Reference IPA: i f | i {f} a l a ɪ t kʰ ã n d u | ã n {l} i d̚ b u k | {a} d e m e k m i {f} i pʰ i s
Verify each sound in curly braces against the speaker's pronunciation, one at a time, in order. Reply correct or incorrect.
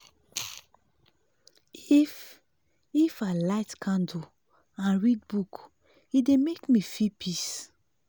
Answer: correct, incorrect: ɹ, incorrect: i, correct

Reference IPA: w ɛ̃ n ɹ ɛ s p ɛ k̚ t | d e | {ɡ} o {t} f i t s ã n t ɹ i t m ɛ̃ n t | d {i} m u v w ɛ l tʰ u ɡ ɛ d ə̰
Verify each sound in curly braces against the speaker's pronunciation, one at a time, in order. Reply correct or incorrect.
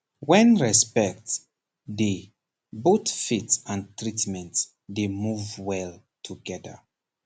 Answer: incorrect: b, correct, incorrect: e

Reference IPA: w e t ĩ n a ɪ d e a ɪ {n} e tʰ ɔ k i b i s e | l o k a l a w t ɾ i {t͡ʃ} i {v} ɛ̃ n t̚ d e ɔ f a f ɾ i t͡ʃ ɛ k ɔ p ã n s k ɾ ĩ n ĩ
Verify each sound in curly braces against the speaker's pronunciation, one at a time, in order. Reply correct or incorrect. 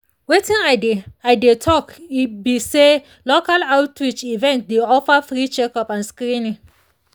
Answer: incorrect: d, correct, correct

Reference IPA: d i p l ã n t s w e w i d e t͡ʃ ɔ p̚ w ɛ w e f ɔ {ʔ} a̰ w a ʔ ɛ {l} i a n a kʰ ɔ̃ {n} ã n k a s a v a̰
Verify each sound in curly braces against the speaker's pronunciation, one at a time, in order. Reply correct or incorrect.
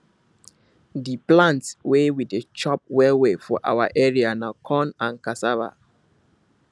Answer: correct, incorrect: ɹ, correct

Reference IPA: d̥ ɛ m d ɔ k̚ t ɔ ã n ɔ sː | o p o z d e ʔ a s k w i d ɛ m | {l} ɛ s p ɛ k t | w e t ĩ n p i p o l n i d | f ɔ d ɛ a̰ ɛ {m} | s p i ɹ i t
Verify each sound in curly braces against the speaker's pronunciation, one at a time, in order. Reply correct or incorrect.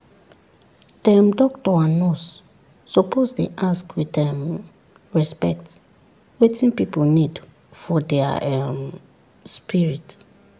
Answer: incorrect: ɹ, correct

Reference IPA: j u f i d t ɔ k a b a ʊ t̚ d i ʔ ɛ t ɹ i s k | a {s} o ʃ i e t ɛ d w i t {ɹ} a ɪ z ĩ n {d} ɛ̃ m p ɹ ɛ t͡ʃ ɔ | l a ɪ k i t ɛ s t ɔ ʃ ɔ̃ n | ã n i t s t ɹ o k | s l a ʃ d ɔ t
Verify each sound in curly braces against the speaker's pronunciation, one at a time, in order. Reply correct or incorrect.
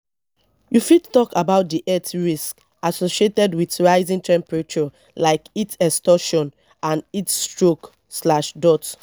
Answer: correct, correct, incorrect: t

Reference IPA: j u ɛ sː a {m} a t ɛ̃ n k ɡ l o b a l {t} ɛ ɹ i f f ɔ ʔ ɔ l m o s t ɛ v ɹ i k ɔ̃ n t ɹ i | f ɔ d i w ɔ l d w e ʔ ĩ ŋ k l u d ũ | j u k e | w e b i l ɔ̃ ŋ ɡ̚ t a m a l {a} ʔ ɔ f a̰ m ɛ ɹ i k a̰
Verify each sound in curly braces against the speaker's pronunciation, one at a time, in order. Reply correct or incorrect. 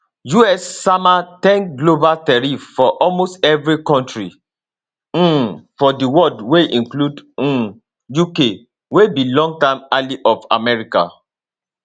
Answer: correct, correct, incorrect: i

